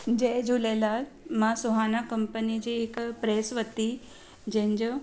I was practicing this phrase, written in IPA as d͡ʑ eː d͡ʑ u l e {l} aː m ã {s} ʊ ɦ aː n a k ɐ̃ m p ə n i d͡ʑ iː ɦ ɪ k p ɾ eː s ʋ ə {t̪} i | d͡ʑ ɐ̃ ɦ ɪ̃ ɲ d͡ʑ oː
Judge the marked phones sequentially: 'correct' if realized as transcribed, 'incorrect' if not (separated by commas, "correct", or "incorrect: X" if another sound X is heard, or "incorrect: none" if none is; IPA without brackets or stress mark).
correct, correct, correct